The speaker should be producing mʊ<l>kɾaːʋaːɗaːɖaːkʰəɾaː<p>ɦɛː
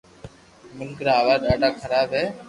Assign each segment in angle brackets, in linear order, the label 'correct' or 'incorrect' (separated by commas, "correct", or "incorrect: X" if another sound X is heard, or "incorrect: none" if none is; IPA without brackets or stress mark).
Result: correct, incorrect: b